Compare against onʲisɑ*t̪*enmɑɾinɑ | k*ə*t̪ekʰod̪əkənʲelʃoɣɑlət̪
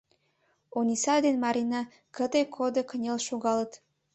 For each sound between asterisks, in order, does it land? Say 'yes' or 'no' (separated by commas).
no, yes